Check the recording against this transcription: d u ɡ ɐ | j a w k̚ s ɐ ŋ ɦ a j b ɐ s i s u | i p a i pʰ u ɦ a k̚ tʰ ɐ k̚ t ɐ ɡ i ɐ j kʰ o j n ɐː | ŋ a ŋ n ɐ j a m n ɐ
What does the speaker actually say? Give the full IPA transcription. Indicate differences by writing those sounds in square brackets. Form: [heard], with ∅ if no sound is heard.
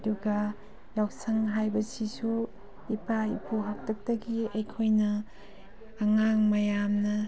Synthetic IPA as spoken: d u ɡ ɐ | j a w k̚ s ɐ ŋ ɦ a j b ɐ s i s u | i p a i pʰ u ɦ a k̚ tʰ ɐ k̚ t ɐ ɡ i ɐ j kʰ o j n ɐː | ŋ a ŋ [m] ɐ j a m n ɐ